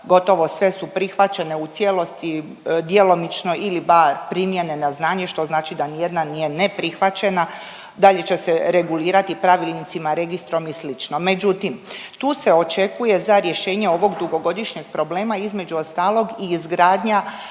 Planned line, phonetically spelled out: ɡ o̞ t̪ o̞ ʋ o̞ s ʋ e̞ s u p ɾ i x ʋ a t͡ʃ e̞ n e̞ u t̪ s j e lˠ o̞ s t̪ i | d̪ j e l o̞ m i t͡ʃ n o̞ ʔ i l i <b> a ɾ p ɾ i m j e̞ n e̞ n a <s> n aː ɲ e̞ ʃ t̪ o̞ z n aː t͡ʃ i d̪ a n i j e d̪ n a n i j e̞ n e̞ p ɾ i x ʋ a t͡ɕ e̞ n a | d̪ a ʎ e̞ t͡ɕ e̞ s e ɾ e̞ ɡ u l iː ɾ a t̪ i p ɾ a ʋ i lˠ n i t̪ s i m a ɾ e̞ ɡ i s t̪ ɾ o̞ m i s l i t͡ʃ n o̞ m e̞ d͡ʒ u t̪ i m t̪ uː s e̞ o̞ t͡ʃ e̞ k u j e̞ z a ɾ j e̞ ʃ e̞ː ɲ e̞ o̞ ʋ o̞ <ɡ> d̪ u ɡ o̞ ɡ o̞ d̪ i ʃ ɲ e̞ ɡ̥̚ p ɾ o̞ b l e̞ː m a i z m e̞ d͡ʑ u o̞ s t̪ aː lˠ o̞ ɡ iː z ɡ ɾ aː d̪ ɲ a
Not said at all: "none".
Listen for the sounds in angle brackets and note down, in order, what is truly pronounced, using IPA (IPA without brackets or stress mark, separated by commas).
b, z, ɡ